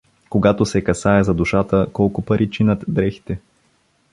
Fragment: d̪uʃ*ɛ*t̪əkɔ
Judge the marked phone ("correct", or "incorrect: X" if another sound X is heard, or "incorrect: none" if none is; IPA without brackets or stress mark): incorrect: a